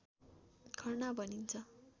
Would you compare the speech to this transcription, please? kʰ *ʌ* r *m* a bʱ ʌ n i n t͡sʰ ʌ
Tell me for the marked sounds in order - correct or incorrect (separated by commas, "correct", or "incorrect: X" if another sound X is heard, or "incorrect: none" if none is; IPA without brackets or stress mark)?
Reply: correct, incorrect: n